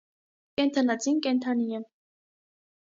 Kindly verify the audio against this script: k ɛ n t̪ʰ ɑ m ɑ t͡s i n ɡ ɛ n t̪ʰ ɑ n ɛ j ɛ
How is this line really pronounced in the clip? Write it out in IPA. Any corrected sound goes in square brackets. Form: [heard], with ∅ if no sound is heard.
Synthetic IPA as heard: k ɛ n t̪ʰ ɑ [n] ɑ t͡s i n [k] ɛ n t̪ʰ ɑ n [i] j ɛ